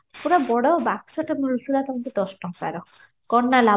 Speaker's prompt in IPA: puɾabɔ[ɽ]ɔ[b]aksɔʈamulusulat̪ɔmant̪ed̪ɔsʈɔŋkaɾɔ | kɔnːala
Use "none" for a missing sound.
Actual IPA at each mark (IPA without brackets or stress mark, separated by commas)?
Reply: ɽ, b